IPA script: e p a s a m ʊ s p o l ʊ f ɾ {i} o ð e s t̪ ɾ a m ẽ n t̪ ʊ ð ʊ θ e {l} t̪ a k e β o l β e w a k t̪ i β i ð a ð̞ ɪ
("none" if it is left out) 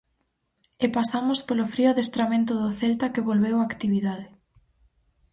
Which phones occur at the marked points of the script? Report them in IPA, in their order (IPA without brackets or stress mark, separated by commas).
i, l